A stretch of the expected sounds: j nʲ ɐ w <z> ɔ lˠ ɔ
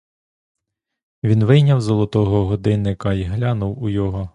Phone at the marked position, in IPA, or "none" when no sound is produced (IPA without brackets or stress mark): z